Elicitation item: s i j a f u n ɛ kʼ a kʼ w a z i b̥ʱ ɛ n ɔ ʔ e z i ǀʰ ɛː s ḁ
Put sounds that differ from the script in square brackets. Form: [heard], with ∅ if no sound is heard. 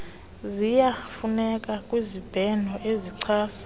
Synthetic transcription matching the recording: [z] i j a f u n ɛ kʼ a kʼ w [i] z i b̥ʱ ɛ n ɔ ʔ e z i ǀʰ [aː] s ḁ